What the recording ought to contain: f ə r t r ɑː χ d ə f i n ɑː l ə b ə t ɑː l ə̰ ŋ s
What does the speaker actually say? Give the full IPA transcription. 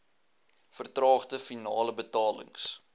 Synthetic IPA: f ə r t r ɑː χ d ə f i n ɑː l ə b ə t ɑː l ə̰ ŋ s

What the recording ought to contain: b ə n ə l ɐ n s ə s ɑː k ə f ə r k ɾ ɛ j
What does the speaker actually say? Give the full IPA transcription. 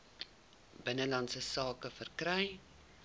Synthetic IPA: b ə n ə l ɐ n s ə s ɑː k ə f ə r k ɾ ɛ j

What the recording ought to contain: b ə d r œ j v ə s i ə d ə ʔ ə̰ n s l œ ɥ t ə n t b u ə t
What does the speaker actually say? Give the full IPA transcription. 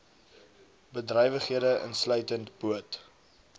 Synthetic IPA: b ə d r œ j v ə χ i ə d ə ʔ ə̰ n s l œ ɥ t ə n t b u ə t

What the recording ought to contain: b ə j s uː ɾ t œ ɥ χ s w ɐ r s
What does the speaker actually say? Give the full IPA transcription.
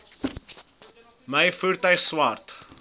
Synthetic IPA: m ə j f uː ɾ t œ ɥ χ s w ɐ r t

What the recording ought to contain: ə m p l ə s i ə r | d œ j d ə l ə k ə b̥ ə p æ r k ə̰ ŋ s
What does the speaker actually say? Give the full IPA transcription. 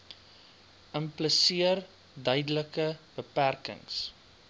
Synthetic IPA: ə m p l ə s i ə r | d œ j d ə l ə k ə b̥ ə p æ r k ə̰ ŋ s

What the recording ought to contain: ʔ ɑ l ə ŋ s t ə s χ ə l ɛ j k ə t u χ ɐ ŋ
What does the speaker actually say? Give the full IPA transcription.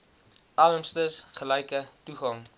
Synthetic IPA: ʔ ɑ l ə m s t ə s χ ə l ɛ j k ə t u χ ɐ ŋ

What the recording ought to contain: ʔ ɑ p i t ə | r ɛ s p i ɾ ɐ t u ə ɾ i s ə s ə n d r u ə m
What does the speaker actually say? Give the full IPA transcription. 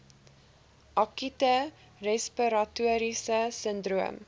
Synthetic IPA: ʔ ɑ k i t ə | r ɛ s p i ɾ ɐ t u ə ɾ i s ə s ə n d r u ə m

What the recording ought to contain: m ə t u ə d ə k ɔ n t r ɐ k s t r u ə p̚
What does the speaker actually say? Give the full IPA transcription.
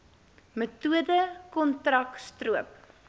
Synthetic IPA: m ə t u ə d ə k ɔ n t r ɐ k s t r u ə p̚

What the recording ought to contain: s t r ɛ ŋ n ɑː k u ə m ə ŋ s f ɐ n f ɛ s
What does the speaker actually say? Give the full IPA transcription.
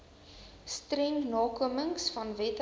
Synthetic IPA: s t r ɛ ŋ n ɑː k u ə m ə ŋ s f ɐ n v ɛ t

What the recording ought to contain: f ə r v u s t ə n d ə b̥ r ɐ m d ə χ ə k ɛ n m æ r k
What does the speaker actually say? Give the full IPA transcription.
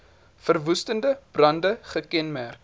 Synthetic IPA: f ə r v u s t ə n d ə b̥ r ɐ n d ə χ ə k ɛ n m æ r k

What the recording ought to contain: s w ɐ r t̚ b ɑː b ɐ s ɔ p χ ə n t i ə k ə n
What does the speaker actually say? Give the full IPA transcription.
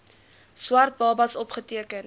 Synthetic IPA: s w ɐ r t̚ b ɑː b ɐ s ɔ p χ ə t i ə k ə n

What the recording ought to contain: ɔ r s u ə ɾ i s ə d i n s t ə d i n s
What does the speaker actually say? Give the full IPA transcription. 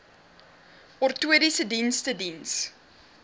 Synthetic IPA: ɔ r t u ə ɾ i s ə d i n s t ə d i n s

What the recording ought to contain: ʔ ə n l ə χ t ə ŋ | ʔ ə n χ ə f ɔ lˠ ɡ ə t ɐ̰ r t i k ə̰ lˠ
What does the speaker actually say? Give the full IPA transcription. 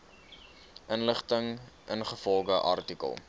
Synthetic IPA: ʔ ə n l ə χ t ə ŋ | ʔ ə n χ ə f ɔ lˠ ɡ ə ʔ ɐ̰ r t i k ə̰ lˠ

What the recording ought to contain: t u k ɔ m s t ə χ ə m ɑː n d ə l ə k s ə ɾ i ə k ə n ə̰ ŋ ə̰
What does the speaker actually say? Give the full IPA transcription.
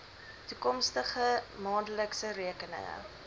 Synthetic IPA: t u k ɔ m s t ə χ ə m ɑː n d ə l ə k s ə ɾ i ə k ə n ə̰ ŋ ə̰

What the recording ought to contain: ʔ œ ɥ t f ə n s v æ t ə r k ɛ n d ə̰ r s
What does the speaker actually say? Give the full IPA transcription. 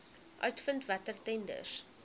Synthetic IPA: ʔ œ ɥ t f ə n t v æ t ə r t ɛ n d ə̰ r s

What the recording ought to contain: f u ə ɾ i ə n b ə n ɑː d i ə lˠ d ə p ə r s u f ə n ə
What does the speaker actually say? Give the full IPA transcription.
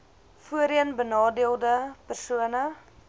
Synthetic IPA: f u ə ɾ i ə n b ə n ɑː d i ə lˠ d ə p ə r s u ə n ə

